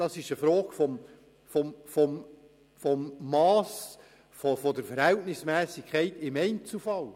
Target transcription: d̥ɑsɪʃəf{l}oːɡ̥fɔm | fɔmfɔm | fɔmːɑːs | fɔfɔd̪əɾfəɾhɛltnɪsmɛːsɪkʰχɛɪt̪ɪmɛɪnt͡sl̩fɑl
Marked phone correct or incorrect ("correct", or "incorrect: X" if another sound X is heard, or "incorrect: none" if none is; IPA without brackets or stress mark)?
incorrect: ɾ